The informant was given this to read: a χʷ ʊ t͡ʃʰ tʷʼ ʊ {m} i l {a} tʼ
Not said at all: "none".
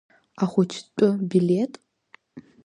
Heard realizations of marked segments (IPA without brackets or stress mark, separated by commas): b, e